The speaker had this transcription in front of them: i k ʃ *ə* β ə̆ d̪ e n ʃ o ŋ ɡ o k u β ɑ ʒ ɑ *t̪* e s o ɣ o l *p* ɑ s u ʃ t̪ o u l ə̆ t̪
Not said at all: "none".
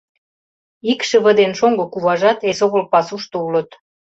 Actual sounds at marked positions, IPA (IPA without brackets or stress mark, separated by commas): ə, t̪, p